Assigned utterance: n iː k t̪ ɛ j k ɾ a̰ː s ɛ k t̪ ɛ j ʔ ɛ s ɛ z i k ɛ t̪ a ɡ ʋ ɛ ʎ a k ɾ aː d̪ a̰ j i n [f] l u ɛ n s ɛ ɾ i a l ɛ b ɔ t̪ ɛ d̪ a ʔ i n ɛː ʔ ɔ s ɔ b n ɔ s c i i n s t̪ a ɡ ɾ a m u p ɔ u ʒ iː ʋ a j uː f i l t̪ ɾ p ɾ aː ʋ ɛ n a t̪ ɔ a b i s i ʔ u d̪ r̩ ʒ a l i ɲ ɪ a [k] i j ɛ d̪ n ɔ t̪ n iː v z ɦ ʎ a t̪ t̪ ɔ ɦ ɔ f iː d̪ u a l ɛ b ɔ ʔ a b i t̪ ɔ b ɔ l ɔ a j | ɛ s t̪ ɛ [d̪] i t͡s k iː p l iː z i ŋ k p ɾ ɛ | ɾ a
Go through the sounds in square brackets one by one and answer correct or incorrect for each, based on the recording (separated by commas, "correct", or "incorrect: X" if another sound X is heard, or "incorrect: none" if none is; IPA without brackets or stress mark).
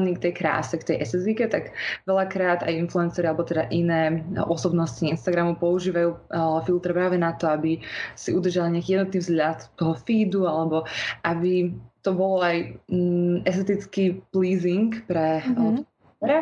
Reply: correct, correct, incorrect: t̪